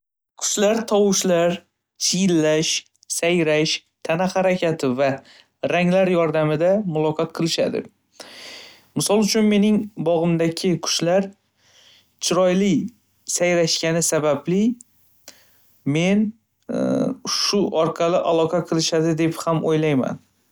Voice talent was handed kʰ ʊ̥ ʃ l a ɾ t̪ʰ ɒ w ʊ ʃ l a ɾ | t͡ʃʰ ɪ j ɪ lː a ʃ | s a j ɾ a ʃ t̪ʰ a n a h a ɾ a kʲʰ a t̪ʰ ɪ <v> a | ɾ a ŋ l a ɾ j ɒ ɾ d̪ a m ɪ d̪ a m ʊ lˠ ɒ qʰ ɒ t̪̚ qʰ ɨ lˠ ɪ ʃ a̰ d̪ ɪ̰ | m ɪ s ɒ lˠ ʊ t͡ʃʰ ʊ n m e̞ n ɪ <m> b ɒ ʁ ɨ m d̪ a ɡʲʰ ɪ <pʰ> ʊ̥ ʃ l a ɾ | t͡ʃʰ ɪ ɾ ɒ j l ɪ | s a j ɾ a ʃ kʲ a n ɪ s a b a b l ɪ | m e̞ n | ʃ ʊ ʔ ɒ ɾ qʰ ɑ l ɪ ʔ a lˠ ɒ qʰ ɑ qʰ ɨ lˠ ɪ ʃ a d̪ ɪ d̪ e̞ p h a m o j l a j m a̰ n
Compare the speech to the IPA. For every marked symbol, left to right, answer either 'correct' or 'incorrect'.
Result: correct, incorrect, incorrect

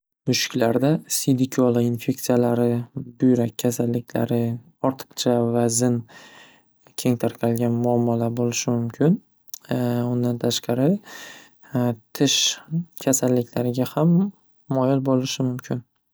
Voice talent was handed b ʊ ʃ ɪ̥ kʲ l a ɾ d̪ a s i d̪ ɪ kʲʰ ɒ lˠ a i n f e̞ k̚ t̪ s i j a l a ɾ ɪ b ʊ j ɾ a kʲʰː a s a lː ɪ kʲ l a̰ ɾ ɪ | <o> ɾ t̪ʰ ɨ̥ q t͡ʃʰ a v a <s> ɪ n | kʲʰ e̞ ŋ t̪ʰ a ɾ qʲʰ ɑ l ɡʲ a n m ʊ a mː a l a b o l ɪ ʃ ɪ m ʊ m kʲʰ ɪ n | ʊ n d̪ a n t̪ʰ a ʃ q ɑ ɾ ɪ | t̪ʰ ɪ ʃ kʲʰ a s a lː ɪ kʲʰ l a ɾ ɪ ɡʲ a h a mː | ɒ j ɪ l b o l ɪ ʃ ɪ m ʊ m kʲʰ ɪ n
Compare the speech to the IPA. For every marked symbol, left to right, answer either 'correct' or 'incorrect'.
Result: incorrect, incorrect

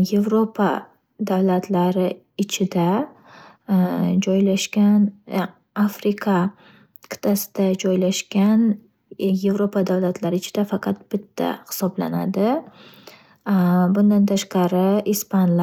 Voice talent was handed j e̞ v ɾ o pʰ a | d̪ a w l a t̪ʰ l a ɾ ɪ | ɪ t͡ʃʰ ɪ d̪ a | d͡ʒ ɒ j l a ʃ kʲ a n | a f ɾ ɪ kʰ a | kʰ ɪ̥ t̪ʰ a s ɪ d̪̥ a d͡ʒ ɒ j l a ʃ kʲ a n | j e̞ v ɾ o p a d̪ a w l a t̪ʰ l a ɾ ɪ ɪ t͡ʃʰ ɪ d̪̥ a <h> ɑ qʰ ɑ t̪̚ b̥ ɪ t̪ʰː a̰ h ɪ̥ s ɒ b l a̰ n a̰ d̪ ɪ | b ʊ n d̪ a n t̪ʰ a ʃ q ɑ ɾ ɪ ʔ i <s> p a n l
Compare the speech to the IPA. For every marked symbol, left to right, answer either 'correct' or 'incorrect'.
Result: incorrect, correct

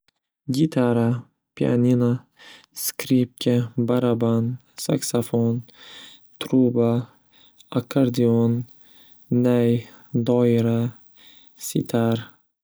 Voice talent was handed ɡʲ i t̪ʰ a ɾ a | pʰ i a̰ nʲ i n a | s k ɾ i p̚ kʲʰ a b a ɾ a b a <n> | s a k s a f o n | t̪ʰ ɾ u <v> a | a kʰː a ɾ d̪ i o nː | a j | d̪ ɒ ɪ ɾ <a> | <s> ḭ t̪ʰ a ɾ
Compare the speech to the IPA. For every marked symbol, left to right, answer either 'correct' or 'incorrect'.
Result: correct, incorrect, correct, correct

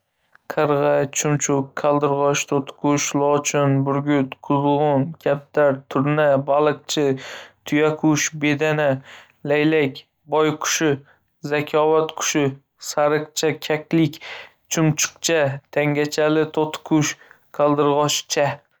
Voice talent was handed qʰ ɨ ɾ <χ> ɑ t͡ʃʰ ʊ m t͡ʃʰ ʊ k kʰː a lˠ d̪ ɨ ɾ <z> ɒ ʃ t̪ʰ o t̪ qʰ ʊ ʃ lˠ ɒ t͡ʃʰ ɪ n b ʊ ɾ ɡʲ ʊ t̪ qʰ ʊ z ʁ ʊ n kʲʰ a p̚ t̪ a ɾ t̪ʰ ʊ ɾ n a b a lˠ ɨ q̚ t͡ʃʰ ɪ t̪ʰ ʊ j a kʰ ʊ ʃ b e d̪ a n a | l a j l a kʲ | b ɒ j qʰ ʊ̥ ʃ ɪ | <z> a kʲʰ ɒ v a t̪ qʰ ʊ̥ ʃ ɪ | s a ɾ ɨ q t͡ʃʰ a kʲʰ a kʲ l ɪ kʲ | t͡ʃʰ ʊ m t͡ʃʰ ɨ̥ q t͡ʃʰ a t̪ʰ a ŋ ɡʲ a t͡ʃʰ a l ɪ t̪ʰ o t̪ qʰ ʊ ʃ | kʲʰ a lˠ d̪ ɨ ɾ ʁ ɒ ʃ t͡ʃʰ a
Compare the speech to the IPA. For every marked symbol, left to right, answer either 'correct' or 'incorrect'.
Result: incorrect, incorrect, correct

